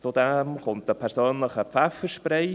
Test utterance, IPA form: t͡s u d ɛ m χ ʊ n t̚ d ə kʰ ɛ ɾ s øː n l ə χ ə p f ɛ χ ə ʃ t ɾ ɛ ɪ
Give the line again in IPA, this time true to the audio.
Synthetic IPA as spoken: t͡s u d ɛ m χ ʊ n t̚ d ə pʰ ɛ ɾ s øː n l ə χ ə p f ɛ f ə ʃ p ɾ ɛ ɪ